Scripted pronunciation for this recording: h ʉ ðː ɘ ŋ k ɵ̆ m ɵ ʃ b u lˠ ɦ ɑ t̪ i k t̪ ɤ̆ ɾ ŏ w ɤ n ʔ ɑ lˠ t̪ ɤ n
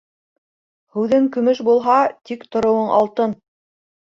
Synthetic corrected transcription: h ʉ ð ɘ ŋ k ɵ̆ m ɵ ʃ b u lˠ ɦ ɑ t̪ i k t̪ ŏ ɾ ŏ w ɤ ɴ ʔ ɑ lˠ t̪ ɤ n